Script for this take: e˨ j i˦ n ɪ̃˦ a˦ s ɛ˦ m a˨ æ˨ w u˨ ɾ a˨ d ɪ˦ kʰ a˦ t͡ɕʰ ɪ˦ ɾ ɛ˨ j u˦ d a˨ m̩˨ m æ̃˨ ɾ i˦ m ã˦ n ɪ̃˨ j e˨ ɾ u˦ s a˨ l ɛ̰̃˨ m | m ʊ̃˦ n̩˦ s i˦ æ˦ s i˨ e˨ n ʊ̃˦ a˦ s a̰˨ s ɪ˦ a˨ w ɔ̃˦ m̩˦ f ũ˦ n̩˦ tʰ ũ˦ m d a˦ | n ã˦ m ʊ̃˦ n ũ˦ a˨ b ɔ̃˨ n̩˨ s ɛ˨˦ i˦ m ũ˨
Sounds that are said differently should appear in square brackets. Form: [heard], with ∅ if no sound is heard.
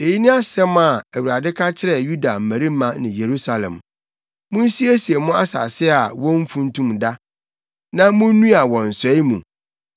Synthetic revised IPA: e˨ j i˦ n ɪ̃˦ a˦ s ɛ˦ m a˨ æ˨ w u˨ ɾ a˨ d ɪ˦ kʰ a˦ t͡ɕʰ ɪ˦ ɾ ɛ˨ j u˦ d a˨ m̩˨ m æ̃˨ ɾ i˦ m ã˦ n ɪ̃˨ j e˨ ɾ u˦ s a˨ l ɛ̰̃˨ m | m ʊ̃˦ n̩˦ s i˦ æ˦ s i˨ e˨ [m] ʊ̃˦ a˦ s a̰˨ s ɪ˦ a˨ w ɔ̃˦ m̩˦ f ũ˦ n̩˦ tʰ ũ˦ m d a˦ | n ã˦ m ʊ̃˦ n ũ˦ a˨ [w] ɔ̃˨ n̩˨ s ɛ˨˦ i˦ m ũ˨